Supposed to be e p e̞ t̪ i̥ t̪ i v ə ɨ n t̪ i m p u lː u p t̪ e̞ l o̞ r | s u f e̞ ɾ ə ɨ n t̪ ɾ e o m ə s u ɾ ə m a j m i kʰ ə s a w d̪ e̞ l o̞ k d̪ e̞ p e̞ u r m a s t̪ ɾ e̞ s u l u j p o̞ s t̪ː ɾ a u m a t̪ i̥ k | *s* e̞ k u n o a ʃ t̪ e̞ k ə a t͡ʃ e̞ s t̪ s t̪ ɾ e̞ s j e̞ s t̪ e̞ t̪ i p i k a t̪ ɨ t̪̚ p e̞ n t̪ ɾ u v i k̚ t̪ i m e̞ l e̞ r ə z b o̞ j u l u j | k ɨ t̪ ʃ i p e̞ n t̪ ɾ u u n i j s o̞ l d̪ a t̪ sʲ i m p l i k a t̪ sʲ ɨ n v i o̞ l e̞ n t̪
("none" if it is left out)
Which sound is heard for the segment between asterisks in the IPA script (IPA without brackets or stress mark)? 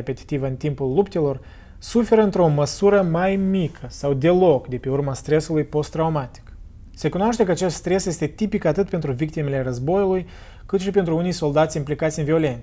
s